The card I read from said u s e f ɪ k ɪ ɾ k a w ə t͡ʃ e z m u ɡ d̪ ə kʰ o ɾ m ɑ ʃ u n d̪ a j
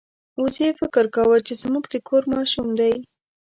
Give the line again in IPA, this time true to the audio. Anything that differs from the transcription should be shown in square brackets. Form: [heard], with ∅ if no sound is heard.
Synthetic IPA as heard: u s e f ɪ k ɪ ɾ k a w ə t͡ʃ e z m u ɡ d̪ ə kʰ o ɾ m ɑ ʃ u [m] d̪ a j